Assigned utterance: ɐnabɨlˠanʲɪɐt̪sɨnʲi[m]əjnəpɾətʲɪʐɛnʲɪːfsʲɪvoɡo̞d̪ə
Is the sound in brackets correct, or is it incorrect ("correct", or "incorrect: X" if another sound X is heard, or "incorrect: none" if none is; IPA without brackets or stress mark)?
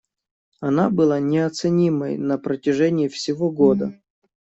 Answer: correct